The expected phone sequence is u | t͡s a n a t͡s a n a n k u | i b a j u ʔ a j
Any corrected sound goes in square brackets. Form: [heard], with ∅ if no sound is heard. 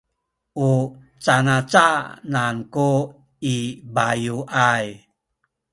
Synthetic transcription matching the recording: u | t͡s a n a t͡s a n a n k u | i b a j u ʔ a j